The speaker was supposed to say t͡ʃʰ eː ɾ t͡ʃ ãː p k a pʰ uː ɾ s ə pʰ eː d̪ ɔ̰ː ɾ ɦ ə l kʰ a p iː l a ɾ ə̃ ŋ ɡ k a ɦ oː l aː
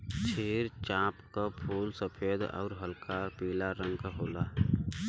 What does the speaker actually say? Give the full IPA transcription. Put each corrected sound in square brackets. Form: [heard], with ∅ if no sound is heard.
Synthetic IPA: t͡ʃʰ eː ɾ t͡ʃ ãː p k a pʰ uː [l] s ə pʰ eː d̪ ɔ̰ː ɾ ɦ ə l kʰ a p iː l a ɾ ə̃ ŋ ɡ k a ɦ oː l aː